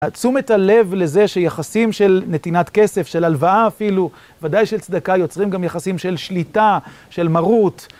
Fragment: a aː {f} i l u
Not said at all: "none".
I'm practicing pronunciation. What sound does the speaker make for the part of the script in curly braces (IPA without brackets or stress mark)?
f